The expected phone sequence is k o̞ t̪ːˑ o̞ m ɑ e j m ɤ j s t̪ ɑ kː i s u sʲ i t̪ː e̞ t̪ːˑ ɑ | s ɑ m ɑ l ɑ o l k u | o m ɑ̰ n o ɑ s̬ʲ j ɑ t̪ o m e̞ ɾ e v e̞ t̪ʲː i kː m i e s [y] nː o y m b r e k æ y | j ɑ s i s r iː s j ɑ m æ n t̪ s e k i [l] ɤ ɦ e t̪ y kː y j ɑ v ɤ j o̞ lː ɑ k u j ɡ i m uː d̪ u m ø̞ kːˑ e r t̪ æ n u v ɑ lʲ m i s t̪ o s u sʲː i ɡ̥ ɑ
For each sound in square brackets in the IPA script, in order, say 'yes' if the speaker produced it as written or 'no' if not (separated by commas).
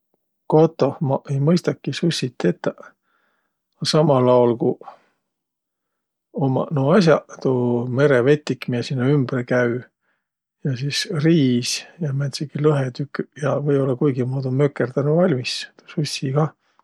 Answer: no, yes